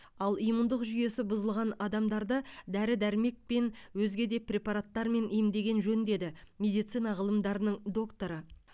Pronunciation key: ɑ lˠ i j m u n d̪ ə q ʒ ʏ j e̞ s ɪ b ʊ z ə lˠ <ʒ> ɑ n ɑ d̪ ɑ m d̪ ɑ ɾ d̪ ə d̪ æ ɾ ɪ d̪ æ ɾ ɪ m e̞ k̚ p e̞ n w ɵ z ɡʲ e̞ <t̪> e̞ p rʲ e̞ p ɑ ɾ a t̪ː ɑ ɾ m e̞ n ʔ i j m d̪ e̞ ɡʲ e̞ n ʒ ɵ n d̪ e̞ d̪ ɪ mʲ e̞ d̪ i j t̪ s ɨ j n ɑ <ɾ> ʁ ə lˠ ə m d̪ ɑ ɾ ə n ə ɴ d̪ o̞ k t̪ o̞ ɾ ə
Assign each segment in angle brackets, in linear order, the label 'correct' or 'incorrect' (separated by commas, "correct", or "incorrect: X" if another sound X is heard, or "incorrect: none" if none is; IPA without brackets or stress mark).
incorrect: ʁ, incorrect: d̪, incorrect: none